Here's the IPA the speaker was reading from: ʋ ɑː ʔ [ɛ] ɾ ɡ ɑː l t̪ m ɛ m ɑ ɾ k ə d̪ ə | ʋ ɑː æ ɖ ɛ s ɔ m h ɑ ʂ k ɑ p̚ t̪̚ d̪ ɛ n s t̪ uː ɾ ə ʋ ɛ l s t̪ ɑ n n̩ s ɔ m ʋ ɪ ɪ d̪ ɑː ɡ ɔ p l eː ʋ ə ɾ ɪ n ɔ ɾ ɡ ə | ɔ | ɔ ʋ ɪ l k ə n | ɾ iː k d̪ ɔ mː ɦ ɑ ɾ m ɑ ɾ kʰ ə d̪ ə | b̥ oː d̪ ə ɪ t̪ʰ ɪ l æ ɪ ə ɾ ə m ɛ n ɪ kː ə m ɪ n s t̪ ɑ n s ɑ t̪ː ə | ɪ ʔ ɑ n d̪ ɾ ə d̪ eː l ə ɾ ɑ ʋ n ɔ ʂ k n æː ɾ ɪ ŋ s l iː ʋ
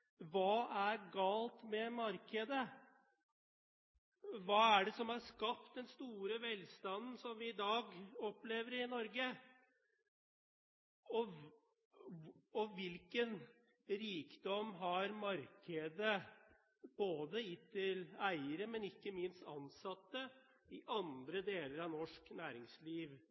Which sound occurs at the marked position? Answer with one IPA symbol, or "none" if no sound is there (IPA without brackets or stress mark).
æ